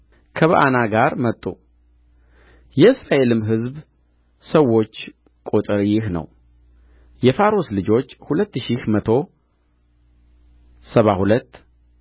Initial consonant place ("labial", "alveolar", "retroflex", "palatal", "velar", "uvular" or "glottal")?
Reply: velar